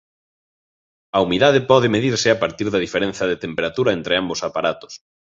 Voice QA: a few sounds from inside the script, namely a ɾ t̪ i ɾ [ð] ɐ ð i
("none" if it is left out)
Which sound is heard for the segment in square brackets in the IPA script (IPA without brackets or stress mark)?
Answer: ð